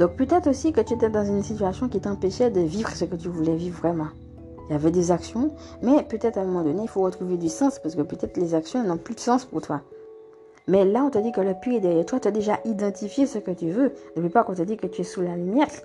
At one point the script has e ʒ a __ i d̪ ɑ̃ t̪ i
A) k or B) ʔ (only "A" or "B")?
B